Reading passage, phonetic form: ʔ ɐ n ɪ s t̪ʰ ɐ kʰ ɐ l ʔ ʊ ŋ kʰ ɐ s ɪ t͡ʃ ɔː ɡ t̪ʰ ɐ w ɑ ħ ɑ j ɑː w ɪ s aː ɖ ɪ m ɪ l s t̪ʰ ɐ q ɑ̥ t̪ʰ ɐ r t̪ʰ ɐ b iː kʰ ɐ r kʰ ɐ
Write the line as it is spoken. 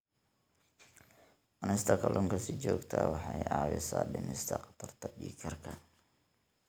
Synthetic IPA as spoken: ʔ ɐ n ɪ s t̪ʰ ɐ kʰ ɐ l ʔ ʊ ŋ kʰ ɐ s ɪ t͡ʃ ɔː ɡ t̪ʰ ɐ w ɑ ħ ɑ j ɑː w ɪ s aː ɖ ɪ m ɪ s t̪ʰ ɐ q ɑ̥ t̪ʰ ɐ r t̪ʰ ɐ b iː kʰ ɐ r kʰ ɐ